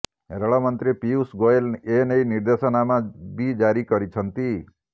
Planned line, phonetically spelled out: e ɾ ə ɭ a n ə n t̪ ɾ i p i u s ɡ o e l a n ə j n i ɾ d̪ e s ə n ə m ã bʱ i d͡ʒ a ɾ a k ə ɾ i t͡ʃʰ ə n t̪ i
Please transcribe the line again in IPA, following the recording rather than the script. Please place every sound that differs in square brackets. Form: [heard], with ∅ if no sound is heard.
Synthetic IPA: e ɾ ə ɭ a [m] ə n t̪ ɾ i p i u s ɡ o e l [e] n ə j n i ɾ d̪ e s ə n [a] m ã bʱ i d͡ʒ a ɾ [i] k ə ɾ i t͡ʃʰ ə n t̪ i